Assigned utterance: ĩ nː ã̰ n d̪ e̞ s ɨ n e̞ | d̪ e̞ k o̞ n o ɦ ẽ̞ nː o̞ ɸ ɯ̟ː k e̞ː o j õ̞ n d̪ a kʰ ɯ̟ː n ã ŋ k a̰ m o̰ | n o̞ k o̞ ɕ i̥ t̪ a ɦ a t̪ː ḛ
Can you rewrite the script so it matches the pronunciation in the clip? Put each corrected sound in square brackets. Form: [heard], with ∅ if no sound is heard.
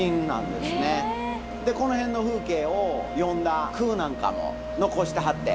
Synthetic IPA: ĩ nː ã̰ n d̪ e̞ s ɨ n e̞ | d̪ e̞ k o̞ n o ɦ ẽ̞ nː o̞ ɸ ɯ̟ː k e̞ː o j õ̞ n d̪ a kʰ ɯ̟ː n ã ŋ k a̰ m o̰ | n o̞ k o̞ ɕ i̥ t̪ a ɦ a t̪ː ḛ